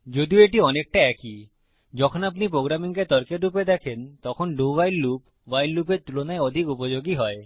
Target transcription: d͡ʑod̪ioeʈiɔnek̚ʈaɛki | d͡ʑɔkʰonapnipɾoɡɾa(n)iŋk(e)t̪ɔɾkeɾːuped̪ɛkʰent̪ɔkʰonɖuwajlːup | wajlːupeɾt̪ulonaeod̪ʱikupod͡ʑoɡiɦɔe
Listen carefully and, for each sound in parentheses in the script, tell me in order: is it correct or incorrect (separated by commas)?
incorrect, correct